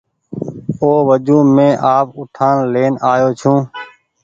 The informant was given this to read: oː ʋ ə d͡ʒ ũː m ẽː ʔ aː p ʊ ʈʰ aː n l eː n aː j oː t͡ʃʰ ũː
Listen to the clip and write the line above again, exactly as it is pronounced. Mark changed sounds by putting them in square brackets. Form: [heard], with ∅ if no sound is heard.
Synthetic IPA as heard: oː ʋ ə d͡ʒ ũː m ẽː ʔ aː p ʊ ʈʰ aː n l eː n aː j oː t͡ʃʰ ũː

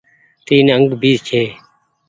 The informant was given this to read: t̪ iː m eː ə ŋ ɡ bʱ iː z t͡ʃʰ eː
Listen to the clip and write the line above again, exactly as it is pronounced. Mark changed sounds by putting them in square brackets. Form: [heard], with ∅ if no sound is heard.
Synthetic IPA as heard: t̪ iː [n] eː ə ŋ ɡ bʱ iː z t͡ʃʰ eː

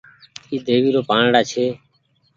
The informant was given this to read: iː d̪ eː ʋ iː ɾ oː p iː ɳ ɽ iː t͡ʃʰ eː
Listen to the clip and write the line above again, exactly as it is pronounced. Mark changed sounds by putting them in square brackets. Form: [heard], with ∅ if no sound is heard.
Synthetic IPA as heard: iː d̪ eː ʋ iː ɾ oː p [aː] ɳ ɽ [aː] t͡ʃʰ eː

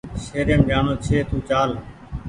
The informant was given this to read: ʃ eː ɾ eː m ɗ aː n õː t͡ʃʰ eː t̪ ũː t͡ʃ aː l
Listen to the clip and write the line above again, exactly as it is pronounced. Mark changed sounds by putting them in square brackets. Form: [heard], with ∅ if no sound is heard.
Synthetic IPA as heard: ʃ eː ɾ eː m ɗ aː n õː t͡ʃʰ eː t̪ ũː t͡ʃ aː l

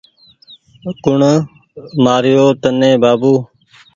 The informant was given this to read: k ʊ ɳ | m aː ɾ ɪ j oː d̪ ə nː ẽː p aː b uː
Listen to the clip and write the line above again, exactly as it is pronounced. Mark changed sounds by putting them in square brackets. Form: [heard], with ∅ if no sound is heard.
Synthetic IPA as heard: k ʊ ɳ | m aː ɾ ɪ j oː [t̪] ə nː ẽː [b] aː b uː

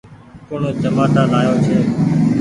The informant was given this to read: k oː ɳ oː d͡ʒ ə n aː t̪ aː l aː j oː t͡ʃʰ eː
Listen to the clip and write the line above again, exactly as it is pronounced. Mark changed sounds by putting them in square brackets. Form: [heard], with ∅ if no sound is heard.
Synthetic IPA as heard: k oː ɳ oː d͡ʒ ə [m] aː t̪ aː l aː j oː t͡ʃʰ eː

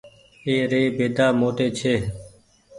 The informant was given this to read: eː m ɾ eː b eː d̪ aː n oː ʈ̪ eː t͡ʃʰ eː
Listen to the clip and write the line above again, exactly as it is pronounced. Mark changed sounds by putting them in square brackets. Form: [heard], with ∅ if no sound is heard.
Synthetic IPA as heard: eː [∅] ɾ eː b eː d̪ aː [m] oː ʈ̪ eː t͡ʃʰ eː

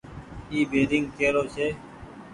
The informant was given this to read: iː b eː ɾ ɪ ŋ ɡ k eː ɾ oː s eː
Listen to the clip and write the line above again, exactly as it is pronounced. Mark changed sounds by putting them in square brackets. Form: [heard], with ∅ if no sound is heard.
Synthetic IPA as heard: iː b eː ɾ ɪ ŋ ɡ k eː ɾ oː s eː

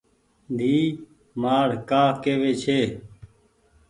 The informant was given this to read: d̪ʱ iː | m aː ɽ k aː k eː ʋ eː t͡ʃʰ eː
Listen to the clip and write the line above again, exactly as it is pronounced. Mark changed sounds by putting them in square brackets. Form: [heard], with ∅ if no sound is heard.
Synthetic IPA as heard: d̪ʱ iː | m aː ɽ k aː k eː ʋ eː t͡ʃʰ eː

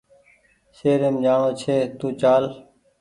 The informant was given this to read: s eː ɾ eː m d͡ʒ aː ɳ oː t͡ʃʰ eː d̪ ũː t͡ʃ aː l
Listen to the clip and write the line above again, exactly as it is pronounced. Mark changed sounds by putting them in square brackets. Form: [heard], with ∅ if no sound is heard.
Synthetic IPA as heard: s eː ɾ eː m d͡ʒ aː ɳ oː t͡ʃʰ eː [t̪] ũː t͡ʃ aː l

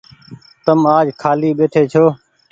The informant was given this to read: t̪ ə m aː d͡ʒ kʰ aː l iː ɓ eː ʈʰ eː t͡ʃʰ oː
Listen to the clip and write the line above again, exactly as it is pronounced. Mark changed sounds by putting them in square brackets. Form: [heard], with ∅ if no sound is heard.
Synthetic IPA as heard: t̪ ə m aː d͡ʒ kʰ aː l iː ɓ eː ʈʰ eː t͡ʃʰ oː

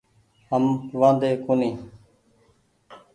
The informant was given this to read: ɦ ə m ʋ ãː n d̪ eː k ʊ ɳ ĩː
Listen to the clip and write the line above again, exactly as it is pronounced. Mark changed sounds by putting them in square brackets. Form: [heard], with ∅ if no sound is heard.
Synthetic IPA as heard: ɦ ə m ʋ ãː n d̪ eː k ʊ [n] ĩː

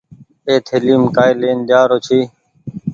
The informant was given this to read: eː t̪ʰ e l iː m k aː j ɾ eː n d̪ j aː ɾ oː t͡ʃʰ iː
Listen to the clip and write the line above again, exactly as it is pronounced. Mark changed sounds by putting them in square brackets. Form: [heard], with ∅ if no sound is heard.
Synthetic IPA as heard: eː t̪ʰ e l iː m k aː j [l] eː n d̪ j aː ɾ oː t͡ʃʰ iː

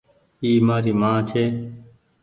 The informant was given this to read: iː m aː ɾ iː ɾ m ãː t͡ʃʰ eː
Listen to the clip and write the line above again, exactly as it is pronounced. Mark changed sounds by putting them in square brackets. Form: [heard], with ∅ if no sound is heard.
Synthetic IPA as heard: iː m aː ɾ iː [∅] m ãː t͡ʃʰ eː

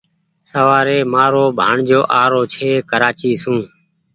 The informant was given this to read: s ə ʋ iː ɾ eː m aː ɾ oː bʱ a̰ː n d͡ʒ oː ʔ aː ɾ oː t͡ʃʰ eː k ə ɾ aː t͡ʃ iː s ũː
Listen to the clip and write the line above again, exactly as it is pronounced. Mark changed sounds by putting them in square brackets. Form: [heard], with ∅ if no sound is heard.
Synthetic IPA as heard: s ə ʋ [aː] ɾ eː m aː ɾ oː bʱ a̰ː [ɳ] d͡ʒ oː ʔ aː ɾ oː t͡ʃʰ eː k ə ɾ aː t͡ʃ iː s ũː

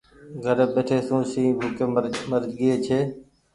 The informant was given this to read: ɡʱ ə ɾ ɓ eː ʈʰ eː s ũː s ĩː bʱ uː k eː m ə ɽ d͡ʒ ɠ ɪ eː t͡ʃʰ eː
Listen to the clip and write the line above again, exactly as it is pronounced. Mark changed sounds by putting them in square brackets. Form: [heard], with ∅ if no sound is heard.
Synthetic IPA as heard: ɡʱ ə ɾ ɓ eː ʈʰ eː s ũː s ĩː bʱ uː k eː m ə [ɾ] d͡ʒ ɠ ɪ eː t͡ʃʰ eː

